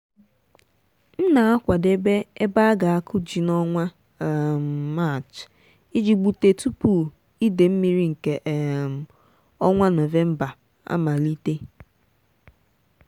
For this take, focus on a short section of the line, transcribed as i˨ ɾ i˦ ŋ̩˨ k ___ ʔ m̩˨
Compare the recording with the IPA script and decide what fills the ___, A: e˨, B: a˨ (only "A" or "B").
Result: A